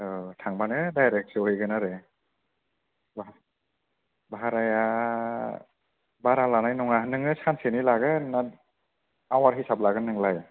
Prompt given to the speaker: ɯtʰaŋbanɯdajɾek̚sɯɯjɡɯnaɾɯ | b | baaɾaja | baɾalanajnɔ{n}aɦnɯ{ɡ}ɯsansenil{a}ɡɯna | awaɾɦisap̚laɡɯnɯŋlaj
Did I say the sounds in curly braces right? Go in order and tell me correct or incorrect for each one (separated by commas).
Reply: incorrect, incorrect, correct